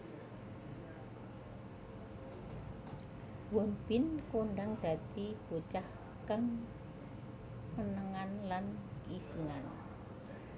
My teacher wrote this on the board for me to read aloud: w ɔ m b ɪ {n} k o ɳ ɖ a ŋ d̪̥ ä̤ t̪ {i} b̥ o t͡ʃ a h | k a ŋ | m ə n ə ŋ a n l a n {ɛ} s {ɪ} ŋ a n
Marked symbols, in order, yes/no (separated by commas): yes, yes, no, no